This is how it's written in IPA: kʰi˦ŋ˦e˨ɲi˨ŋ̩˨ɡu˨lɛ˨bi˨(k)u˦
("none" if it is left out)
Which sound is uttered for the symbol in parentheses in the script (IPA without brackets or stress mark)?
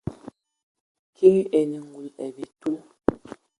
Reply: t